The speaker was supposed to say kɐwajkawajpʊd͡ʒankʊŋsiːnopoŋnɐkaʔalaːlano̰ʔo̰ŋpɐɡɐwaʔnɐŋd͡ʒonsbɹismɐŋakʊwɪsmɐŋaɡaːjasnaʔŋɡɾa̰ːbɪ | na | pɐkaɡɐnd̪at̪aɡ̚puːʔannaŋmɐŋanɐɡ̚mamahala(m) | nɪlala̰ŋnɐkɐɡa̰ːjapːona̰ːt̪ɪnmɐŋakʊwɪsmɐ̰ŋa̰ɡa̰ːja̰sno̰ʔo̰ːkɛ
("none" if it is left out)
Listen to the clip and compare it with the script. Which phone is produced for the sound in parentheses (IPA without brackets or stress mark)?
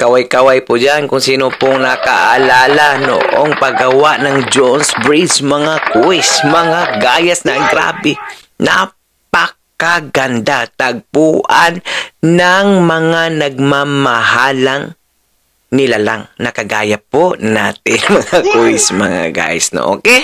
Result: ŋ